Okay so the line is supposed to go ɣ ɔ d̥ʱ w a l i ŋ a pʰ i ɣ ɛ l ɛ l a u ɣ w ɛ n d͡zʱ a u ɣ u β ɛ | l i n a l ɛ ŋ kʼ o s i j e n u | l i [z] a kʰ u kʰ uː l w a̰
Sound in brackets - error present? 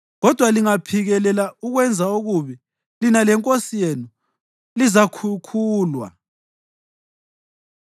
no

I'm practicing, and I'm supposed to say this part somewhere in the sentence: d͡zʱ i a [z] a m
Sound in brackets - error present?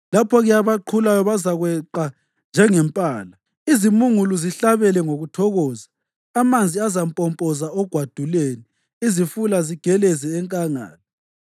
no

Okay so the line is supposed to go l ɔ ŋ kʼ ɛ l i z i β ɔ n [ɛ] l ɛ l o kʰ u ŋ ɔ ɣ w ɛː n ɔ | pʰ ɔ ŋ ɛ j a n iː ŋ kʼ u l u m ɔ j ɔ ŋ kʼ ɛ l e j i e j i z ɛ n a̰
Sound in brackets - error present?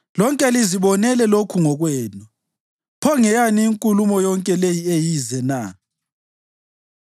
no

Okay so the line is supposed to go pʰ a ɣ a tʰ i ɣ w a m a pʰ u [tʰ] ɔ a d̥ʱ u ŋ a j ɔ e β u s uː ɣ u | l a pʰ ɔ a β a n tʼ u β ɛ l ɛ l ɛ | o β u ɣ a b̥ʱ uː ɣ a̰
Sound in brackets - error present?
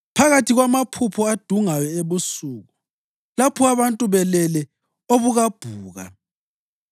yes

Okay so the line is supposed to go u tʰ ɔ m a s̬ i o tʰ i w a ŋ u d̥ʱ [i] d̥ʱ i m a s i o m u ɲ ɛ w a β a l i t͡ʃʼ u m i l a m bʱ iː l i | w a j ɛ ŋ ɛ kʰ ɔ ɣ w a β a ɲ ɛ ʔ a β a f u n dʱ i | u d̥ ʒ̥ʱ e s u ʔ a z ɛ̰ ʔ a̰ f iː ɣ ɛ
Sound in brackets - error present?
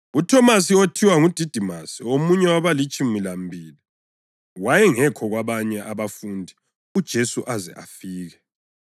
no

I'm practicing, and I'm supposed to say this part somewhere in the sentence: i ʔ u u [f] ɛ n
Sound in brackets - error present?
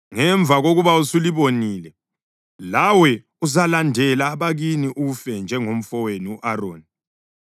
no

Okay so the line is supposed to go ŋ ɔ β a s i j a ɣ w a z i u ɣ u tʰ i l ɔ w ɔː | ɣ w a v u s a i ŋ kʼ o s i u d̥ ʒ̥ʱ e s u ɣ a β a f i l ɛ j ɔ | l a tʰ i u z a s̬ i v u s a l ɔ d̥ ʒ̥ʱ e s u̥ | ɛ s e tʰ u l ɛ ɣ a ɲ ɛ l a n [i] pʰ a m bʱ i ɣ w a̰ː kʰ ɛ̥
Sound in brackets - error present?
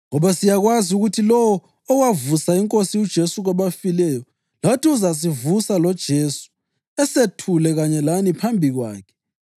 no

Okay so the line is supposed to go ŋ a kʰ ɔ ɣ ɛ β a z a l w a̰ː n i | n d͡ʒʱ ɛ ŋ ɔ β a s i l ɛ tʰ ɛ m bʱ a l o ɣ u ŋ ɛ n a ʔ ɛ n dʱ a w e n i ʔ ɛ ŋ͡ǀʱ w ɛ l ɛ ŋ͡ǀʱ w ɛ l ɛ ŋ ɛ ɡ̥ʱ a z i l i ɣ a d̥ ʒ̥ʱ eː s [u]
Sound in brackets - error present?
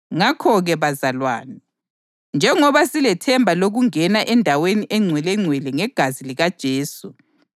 no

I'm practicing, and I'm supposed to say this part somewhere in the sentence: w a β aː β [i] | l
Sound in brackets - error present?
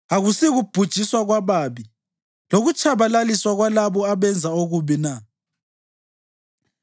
no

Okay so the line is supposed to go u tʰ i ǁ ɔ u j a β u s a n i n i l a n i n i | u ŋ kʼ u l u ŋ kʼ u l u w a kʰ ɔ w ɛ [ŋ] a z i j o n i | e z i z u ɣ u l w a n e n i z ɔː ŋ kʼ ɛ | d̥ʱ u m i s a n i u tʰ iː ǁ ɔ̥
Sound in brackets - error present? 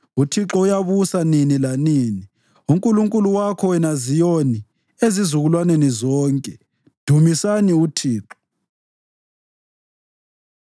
yes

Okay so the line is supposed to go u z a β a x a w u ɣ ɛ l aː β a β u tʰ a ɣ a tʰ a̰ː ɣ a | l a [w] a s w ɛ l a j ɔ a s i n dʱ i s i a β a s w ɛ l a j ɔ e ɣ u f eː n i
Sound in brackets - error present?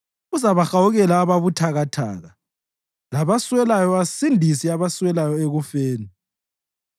yes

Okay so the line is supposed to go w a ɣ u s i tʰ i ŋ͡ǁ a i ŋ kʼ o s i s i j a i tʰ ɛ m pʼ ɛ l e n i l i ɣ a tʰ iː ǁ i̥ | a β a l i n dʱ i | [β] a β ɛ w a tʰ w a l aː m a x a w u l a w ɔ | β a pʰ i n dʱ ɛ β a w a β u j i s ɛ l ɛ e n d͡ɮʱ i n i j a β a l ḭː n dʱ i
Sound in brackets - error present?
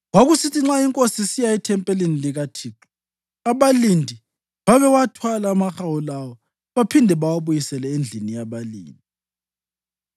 no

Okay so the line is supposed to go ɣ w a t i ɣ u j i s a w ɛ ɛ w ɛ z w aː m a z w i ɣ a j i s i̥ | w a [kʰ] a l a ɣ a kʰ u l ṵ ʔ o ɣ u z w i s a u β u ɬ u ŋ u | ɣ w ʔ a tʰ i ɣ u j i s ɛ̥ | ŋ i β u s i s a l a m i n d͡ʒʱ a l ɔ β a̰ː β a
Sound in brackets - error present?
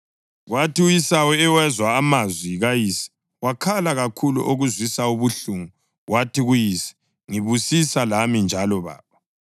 no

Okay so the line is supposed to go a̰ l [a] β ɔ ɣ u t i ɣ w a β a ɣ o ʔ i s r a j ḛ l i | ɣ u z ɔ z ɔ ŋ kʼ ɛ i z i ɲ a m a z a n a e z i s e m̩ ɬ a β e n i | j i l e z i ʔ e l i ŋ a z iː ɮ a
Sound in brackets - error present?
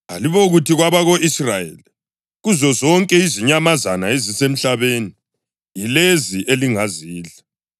yes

